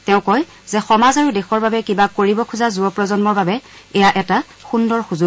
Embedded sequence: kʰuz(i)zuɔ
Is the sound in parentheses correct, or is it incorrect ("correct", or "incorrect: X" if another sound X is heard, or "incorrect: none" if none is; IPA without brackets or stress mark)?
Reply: incorrect: a